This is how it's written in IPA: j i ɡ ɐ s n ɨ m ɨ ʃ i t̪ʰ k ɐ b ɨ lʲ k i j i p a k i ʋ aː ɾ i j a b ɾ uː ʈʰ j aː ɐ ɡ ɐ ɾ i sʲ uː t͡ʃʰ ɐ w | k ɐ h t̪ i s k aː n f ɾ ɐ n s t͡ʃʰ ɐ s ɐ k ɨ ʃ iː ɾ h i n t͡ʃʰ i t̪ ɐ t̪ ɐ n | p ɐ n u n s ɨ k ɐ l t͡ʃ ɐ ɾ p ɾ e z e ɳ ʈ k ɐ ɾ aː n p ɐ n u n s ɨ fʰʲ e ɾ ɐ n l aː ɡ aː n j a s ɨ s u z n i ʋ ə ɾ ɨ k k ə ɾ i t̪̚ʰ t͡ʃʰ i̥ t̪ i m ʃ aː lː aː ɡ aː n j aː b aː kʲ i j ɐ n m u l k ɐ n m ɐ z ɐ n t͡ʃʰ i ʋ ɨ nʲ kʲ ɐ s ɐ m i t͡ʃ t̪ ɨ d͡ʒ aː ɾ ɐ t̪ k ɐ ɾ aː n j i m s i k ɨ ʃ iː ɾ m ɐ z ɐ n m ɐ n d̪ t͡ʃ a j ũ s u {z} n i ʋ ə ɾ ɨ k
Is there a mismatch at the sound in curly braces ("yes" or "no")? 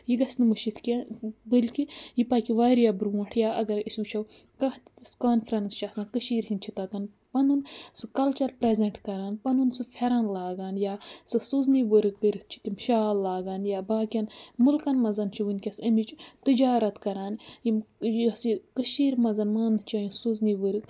no